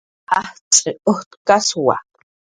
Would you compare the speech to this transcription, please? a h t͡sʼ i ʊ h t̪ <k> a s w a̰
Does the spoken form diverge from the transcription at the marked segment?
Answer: no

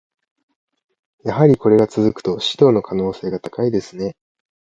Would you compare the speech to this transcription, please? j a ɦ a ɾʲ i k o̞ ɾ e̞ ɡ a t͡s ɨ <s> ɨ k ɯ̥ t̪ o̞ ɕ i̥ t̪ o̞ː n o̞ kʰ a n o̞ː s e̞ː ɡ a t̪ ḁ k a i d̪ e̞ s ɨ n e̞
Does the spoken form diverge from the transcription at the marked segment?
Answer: yes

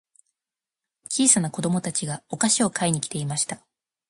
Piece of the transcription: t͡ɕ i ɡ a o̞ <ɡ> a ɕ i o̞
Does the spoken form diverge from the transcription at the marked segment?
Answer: yes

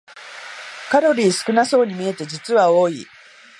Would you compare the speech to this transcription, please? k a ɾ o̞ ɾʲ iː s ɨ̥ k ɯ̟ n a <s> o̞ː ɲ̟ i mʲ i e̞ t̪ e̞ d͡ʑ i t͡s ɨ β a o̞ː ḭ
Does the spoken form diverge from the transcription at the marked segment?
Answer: no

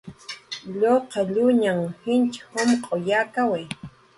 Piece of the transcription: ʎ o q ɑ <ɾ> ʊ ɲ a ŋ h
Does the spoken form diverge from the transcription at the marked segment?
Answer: yes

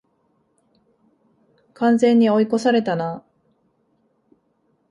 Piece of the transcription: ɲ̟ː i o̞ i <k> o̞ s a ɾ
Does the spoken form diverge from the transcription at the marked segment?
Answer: no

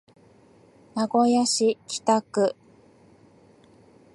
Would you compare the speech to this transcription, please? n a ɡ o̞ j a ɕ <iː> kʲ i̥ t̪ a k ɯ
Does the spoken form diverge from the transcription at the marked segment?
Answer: yes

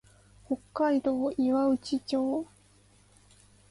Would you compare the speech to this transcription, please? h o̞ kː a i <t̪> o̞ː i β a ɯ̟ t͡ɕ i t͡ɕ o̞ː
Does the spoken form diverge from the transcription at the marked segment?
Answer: yes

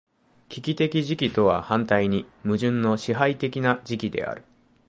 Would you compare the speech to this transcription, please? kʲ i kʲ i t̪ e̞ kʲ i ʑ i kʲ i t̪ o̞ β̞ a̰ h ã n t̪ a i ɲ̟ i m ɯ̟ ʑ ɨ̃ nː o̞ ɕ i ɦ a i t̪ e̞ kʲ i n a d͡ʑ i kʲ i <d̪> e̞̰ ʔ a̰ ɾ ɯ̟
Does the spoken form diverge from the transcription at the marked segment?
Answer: no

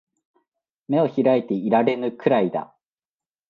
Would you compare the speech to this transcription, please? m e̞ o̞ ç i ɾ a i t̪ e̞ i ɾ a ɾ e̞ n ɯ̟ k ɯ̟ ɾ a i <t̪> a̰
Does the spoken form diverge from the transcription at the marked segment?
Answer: yes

